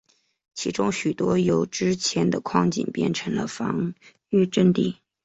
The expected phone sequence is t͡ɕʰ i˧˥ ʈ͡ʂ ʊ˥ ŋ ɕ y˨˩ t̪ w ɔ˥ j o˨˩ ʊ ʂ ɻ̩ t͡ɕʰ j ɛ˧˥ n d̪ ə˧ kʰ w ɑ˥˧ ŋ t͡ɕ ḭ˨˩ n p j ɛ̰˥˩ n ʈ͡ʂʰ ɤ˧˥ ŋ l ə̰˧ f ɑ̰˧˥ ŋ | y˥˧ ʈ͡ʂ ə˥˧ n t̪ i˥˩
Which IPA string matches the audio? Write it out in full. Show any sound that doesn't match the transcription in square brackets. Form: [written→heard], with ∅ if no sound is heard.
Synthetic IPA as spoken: t͡ɕʰ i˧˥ ʈ͡ʂ ʊ˥ ŋ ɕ y˨˩ t̪ w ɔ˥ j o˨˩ ʊ [ʂ→ʈ͡ʂ] ɻ̩ t͡ɕʰ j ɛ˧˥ n d̪ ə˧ kʰ w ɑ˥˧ ŋ t͡ɕ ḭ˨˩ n p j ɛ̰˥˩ n ʈ͡ʂʰ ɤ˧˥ ŋ l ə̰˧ f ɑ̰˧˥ ŋ | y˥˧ ʈ͡ʂ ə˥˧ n t̪ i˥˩